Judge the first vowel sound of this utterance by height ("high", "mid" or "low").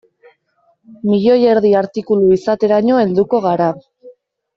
high